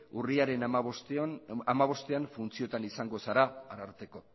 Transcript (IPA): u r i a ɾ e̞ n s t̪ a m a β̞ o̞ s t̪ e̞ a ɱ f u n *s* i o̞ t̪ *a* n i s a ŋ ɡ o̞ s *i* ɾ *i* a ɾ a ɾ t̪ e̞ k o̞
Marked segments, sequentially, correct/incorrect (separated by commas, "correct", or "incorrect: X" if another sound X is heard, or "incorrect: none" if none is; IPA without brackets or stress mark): incorrect: t͡s, correct, incorrect: a, incorrect: a